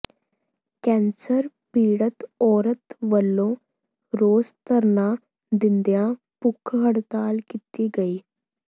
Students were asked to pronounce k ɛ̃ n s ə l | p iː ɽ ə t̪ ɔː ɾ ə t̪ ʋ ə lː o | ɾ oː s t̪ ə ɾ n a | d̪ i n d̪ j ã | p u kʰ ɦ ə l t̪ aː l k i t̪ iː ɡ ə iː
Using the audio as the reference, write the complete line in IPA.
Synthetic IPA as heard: k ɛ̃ n s ə ɾ | p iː ɽ ə t̪ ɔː ɾ ə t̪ ʋ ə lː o | ɾ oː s t̪ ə ɾ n a | d̪ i n d̪ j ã | p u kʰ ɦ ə ɽ t̪ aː l k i t̪ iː ɡ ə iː